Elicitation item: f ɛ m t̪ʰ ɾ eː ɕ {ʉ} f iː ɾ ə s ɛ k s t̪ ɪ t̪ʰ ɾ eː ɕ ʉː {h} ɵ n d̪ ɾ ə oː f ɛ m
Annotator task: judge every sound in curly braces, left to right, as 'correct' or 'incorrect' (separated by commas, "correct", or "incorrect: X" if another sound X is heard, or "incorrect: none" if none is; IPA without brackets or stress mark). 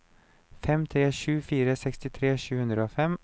incorrect: ʉː, correct